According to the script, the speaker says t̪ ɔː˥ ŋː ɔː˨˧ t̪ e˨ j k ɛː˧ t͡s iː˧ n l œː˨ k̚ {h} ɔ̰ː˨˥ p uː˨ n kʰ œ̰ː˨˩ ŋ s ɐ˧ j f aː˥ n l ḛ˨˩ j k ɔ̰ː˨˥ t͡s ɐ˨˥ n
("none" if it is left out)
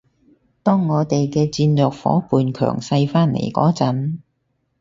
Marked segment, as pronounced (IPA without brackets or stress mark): f